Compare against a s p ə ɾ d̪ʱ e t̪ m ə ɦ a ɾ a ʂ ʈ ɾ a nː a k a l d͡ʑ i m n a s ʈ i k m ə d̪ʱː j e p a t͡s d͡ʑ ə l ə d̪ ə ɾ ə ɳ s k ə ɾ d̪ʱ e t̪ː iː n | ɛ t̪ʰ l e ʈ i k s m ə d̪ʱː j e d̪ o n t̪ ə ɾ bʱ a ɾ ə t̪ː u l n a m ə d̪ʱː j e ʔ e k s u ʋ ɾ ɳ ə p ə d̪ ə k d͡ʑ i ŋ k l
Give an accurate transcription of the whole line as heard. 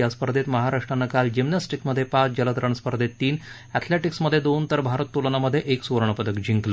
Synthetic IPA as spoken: a s p ə ɾ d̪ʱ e t̪ m ə ɦ a ɾ a ʂ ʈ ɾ a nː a k a l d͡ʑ i m n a s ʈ i k m ə d̪ʱː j e p a t͡s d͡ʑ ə l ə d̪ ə ɾ ə ɳ s p ə ɾ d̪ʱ e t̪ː iː n | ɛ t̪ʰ l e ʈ i k s m ə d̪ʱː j e d̪ o n t̪ ə ɾ bʱ a ɾ ə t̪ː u l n a m ə d̪ʱː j e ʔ e k s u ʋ ɾ ɳ ə p ə d̪ ə k d͡ʑ i ŋ k l